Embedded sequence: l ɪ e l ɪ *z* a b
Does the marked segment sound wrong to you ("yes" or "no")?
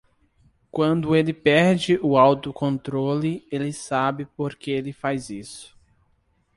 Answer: yes